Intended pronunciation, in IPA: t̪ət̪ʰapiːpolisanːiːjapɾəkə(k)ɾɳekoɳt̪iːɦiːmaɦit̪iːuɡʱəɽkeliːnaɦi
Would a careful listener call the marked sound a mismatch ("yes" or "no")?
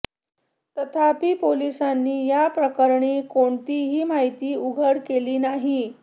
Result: yes